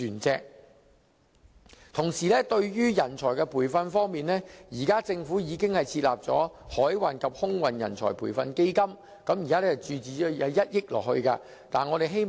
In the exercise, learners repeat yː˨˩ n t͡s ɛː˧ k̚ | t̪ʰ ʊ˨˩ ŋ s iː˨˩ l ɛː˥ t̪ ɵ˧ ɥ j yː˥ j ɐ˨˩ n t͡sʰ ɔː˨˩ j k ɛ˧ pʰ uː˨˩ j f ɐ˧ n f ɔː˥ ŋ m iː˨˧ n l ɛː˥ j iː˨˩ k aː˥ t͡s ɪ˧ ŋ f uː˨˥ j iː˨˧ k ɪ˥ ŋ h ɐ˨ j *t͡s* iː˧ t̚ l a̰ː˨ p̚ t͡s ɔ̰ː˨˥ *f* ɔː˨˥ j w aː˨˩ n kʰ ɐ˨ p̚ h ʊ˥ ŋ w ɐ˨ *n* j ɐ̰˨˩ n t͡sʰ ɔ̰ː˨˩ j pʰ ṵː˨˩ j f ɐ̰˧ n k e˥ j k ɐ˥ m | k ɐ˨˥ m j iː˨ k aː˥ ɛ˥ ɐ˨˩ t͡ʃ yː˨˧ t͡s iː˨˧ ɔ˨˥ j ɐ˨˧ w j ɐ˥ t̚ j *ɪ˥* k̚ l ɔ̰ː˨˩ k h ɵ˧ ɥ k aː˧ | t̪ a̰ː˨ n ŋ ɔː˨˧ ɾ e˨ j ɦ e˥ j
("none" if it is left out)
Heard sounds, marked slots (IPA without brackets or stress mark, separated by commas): t͡sʰ, h, n, ɪ˥